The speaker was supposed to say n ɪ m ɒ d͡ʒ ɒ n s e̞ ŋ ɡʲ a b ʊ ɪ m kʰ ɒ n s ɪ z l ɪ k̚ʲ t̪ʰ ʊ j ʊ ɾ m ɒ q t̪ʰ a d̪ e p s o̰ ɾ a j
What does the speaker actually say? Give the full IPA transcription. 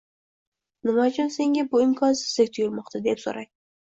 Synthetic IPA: n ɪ m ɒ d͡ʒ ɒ n s e̞ ŋ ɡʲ a b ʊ ɪ m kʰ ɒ n s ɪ z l ɪ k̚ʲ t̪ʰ ʊ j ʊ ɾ m ɒ q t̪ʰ a d̪ e p s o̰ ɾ a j